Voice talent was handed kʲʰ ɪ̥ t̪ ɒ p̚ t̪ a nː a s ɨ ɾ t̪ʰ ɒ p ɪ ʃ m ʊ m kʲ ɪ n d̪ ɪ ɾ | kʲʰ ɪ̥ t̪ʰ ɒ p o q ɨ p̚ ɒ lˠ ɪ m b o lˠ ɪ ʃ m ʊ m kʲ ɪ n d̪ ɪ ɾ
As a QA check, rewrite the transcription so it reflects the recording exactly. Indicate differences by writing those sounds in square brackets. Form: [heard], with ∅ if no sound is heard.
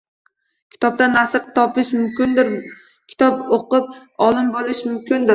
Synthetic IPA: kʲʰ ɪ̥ t̪ ɒ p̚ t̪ a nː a s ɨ ɾ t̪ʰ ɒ p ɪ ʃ m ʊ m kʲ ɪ n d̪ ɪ ɾ | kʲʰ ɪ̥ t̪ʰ ɒ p o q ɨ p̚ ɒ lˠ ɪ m b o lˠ ɪ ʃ m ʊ m kʲ ɪ n d̪ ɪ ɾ